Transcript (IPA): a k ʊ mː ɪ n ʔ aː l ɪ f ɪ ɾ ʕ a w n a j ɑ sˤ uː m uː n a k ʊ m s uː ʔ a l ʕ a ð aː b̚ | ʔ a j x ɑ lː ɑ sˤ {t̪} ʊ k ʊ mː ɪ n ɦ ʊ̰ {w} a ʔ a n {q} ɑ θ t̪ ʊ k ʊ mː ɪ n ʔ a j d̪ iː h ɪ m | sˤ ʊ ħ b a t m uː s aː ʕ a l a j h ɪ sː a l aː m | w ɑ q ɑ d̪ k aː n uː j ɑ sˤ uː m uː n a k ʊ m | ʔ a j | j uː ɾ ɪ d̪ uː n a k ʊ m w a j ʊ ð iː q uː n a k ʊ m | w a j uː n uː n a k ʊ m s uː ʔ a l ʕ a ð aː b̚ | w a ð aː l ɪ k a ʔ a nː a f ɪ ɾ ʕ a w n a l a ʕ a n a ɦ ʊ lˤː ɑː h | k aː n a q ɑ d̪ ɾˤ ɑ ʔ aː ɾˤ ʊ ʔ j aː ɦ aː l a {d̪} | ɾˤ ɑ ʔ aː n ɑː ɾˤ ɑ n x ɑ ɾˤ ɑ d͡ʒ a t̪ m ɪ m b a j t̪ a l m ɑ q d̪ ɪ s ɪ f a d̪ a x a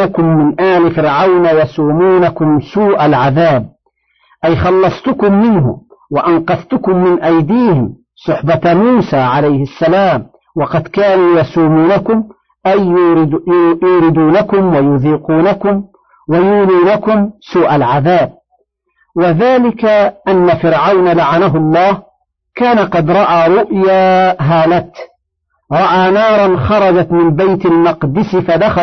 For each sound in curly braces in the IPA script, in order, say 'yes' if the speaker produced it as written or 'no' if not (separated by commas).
yes, yes, yes, no